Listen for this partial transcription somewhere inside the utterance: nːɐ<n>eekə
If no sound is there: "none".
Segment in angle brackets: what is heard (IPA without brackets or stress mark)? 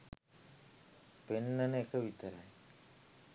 n